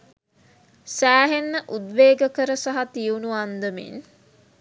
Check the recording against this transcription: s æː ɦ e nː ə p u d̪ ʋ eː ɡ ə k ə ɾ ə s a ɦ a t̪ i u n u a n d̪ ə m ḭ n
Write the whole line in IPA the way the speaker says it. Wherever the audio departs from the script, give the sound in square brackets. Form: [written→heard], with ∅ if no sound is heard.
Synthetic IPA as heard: s æː ɦ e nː ə [p→ʔ] u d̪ ʋ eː ɡ ə k ə ɾ ə s a ɦ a t̪ i u n u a n d̪ ə m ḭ n